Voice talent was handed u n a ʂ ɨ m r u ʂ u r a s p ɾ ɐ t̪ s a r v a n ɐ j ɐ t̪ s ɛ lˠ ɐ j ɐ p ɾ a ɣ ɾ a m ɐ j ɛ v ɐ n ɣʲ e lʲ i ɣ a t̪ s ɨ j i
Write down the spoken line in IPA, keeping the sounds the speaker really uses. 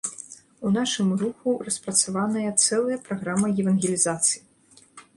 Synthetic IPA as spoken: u n a ʂ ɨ m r u x u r ɐ s p ɾ ɐ t̪ s a v a n ɐ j ɐ t̪ s ɛ lˠ ɐ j ɐ p ɾ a ɣ ɾ a m ɐ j ɛ v ɐ n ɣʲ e lʲ i z a t̪ s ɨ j i